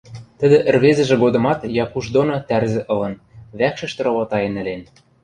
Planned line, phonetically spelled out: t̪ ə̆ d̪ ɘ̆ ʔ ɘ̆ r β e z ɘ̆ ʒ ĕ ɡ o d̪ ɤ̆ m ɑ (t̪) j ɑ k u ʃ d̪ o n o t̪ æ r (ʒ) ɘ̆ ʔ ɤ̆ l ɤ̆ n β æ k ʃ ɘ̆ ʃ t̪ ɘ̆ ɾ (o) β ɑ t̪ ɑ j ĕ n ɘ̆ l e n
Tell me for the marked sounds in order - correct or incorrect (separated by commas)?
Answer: correct, incorrect, correct